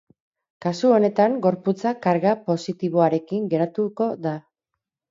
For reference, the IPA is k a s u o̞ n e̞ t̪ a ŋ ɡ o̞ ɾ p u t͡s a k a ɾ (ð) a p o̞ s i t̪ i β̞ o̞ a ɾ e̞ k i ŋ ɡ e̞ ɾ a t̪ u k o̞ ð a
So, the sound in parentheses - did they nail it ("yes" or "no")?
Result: no